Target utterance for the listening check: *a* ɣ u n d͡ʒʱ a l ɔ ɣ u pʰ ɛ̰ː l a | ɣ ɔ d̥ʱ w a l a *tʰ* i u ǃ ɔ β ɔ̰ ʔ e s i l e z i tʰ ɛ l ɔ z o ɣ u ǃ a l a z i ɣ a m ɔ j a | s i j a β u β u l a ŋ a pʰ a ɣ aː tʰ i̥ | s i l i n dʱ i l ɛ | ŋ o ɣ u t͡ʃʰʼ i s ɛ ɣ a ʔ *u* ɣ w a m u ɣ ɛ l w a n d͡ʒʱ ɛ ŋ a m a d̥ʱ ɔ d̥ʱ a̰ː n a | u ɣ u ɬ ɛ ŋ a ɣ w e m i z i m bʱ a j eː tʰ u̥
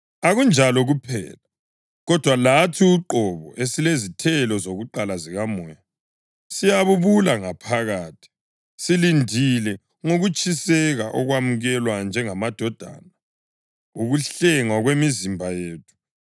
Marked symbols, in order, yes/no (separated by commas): yes, yes, no